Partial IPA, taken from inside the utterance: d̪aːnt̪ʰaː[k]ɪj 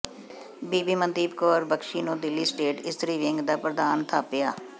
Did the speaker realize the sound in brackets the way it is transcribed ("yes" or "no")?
no